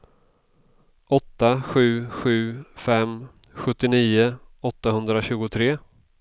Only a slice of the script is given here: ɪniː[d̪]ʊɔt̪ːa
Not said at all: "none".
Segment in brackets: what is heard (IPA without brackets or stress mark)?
none